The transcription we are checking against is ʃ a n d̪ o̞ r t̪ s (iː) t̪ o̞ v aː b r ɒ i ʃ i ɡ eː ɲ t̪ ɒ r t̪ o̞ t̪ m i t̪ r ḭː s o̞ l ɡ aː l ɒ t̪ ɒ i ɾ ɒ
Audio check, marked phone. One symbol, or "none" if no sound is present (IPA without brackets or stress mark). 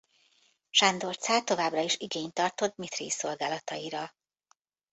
aː